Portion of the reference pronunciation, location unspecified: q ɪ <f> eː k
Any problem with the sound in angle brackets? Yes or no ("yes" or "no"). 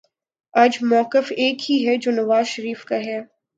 no